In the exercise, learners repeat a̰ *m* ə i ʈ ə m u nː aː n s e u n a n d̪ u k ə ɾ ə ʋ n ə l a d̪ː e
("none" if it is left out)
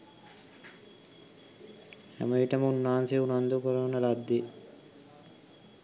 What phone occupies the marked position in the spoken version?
m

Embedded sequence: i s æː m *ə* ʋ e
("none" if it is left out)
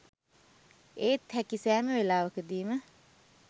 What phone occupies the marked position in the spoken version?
ə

